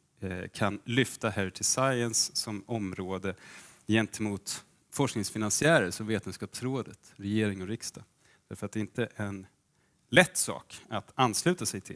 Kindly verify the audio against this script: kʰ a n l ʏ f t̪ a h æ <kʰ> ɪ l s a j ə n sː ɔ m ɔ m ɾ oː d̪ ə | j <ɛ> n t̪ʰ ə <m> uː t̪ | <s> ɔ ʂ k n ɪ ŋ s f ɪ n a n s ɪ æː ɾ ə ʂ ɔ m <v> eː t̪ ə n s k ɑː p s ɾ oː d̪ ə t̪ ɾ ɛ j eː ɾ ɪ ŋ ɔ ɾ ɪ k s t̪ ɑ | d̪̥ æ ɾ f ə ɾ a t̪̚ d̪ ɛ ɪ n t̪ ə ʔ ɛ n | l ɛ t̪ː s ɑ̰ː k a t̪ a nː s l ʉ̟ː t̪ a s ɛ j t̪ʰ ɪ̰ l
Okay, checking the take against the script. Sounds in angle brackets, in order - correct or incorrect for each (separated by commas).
incorrect, correct, correct, incorrect, correct